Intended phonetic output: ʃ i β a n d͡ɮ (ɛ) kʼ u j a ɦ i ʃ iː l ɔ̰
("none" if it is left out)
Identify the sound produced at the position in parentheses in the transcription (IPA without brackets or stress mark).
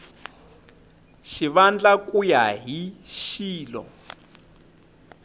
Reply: a